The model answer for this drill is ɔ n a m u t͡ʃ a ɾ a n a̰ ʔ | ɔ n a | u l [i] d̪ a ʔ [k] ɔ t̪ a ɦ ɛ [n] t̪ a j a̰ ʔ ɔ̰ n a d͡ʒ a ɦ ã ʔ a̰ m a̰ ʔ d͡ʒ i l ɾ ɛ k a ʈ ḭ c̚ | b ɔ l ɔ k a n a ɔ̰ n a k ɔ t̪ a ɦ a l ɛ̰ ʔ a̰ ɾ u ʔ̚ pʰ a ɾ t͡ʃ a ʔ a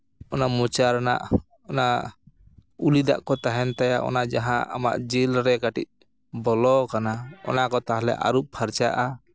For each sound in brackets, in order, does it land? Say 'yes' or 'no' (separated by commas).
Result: yes, yes, yes